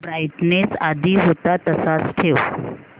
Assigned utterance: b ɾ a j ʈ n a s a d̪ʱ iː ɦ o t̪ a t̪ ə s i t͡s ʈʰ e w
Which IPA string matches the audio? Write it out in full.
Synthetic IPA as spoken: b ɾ a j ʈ n e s a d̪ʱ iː ɦ o t̪ a t̪ ə s a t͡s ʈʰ e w